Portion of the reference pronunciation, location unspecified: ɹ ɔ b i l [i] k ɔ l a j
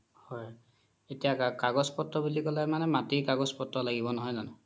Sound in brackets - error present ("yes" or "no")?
no